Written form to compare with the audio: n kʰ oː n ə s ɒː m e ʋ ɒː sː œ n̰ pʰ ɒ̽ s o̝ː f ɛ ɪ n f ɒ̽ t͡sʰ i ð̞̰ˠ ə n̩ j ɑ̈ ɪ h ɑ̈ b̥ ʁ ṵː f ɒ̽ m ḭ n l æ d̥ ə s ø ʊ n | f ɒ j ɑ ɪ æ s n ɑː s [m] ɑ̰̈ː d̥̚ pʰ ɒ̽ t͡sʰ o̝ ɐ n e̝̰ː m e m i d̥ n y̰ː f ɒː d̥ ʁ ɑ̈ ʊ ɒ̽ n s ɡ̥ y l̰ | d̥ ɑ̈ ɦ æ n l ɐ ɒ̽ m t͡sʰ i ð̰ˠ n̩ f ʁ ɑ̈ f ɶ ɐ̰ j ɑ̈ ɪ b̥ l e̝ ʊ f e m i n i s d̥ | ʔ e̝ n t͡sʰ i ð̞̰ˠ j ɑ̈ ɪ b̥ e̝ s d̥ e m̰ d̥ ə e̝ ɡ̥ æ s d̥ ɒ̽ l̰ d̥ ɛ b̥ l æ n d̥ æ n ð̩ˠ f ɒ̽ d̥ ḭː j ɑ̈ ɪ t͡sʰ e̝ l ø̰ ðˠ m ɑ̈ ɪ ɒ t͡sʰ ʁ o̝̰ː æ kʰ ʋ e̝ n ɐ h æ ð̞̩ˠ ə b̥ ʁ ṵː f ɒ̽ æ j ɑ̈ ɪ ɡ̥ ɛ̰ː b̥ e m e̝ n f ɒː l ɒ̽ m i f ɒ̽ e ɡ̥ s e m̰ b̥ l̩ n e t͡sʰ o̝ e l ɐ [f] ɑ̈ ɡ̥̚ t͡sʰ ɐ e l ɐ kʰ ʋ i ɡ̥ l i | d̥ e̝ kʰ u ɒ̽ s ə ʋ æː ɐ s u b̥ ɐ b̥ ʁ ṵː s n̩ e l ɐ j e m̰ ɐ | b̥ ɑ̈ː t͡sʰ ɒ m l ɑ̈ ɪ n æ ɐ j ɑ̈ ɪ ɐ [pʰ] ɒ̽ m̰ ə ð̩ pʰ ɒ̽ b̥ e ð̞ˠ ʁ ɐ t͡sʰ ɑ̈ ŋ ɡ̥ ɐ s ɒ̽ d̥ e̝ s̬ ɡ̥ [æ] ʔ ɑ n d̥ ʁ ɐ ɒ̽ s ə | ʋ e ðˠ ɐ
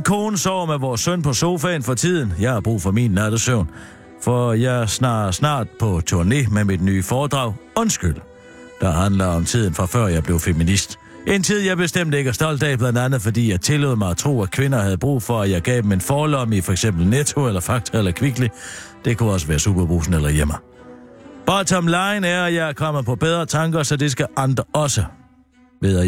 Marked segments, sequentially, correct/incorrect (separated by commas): incorrect, correct, incorrect, correct